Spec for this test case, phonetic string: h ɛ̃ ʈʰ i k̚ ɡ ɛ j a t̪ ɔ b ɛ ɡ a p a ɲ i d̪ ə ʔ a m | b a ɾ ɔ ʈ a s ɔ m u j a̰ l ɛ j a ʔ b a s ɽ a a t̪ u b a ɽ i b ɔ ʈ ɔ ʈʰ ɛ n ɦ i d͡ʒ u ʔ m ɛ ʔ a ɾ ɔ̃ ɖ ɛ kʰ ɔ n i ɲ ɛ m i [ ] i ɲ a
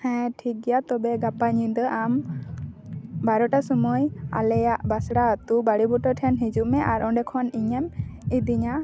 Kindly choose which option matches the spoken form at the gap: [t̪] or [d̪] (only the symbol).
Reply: d̪